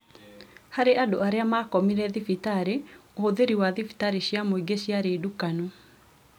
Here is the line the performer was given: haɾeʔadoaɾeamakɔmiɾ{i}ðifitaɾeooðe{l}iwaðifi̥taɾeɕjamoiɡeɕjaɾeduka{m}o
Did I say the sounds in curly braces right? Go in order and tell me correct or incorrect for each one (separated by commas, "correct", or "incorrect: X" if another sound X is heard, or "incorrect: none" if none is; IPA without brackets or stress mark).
incorrect: ɛ, incorrect: ɾ, incorrect: n